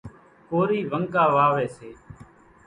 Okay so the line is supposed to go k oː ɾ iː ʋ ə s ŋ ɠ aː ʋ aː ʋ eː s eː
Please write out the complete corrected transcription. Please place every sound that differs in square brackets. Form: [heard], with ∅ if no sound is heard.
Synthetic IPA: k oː ɾ iː ʋ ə [∅] ŋ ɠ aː ʋ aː ʋ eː s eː